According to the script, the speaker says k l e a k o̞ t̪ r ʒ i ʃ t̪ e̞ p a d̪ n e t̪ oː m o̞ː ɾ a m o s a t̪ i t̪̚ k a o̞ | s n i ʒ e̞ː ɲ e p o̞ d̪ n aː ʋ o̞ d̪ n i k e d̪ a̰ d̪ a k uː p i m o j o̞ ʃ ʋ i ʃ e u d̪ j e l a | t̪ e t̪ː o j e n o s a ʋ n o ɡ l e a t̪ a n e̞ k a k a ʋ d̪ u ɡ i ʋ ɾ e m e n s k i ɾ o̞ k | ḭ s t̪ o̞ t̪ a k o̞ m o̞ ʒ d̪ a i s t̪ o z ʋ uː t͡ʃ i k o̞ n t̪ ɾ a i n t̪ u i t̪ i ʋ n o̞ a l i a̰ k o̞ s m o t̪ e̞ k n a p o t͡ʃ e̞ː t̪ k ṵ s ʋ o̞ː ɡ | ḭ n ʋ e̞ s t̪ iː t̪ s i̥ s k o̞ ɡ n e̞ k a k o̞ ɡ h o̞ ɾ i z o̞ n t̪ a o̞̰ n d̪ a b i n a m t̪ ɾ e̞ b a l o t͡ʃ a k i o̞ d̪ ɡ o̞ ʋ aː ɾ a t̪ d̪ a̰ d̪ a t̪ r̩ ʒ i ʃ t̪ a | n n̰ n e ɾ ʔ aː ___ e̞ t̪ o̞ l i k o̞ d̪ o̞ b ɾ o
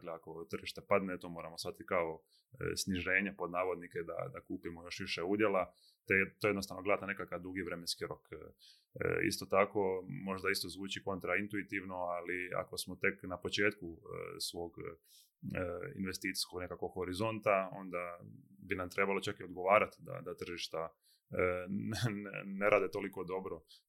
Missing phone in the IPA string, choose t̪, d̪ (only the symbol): d̪